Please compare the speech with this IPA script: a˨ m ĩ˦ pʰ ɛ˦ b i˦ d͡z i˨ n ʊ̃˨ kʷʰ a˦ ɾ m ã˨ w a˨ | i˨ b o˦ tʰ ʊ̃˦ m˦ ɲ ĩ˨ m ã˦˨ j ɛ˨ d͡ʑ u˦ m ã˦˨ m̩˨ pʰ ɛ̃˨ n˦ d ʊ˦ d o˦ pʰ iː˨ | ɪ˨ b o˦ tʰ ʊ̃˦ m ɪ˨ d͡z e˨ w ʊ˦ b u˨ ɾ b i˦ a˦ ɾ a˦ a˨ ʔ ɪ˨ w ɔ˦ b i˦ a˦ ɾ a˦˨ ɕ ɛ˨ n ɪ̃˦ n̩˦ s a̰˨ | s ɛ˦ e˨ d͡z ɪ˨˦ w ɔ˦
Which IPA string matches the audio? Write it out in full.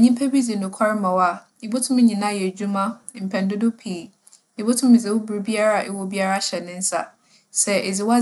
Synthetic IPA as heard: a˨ ɲ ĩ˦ pʰ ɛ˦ b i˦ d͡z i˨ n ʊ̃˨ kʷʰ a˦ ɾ m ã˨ w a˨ | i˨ b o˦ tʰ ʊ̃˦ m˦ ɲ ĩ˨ n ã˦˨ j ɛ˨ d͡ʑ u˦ m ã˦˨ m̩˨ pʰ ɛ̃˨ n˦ d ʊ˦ d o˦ pʰ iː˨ | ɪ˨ b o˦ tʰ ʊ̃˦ m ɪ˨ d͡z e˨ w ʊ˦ b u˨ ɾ b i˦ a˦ ɾ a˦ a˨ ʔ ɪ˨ w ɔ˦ b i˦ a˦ ɾ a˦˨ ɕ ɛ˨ n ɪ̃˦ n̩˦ s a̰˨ | s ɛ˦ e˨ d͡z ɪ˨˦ w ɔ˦